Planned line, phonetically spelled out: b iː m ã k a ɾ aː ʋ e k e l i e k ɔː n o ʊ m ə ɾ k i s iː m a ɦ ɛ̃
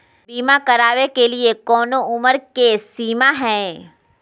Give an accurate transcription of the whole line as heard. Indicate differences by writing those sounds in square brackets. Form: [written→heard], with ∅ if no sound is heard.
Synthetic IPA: b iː m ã k [a→ə] ɾ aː ʋ e k e l i e k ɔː n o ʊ m ə ɾ k [i→e] s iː m a ɦ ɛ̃